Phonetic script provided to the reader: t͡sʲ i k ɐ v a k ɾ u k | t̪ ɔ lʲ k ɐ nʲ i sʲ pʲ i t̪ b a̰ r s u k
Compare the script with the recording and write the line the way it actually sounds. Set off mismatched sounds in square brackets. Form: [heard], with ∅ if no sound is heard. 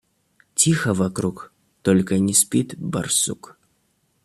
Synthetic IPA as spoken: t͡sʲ i [x] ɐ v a k ɾ u k | t̪ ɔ lʲ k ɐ nʲ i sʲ pʲ i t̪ b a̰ r s u k